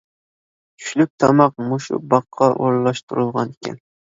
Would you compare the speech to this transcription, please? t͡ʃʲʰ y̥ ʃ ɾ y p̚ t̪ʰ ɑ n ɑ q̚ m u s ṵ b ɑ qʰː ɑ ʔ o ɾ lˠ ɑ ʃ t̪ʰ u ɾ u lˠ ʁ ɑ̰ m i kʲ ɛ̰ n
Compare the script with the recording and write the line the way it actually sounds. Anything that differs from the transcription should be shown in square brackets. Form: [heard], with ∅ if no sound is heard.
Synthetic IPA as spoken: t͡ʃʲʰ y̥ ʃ [l] y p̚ t̪ʰ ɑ [m] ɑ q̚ m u [ʃ] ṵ b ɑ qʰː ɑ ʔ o ɾ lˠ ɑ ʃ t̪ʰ u ɾ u lˠ ʁ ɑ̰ [n] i kʲ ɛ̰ n